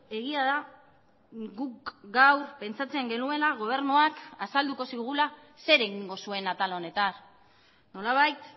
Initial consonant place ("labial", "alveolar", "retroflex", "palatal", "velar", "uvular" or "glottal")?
velar